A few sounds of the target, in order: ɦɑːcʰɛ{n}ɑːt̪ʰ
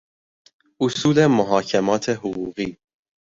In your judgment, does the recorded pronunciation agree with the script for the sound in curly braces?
no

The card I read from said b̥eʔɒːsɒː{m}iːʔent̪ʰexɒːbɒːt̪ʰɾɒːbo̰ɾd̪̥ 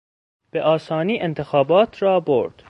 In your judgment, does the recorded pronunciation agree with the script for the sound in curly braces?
no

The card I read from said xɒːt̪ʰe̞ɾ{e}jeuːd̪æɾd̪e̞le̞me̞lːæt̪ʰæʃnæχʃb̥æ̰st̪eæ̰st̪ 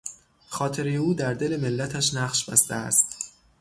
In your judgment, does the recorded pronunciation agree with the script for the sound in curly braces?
yes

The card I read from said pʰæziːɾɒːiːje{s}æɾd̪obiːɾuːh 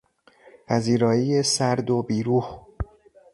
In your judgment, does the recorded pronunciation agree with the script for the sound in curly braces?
yes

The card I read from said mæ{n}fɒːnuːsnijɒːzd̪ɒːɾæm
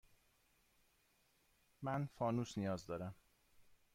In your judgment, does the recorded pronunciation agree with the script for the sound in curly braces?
yes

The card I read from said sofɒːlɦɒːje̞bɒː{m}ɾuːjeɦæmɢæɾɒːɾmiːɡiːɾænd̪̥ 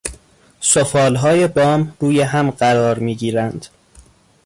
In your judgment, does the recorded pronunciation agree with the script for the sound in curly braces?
yes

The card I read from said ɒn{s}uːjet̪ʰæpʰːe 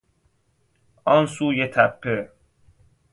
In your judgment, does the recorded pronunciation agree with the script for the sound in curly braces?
yes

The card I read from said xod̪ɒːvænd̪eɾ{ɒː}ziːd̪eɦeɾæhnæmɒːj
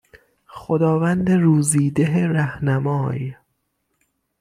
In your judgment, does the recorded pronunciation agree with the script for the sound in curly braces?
no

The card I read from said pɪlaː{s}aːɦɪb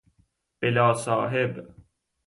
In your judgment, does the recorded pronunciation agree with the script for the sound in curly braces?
yes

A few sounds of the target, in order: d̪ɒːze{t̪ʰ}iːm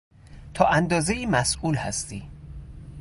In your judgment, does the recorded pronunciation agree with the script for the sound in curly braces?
no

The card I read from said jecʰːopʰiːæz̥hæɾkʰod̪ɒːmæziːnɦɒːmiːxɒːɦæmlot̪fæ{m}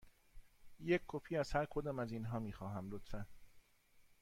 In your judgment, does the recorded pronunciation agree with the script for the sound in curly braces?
no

